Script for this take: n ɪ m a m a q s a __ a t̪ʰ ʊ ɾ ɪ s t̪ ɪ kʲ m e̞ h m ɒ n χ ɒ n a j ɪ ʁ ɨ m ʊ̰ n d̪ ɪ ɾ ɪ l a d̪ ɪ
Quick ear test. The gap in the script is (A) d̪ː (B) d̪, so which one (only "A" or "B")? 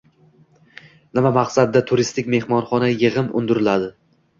A